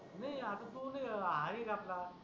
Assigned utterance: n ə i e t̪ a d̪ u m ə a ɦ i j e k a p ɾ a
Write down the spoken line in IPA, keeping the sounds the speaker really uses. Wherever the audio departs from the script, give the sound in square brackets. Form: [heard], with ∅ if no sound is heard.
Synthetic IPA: n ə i [a] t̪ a [t̪] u [n] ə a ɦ [a] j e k a p [l] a